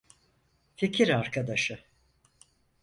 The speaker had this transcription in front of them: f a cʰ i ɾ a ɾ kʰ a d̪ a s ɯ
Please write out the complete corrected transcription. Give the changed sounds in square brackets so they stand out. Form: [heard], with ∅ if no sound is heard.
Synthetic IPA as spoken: f [i] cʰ i ɾ a ɾ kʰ a d̪ a [ʃ] ɯ